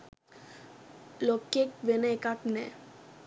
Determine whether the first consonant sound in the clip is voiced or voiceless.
voiced